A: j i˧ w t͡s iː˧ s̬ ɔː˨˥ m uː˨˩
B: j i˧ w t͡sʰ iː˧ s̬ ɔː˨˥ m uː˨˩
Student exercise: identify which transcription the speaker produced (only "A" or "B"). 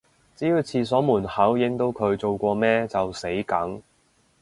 B